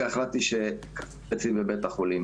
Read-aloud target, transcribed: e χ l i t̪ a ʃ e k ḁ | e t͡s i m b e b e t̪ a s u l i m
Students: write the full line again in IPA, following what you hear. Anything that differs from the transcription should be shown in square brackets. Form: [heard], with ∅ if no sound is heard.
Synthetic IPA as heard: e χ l [a] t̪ [i] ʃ e k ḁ | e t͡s i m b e b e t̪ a [χ] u l i m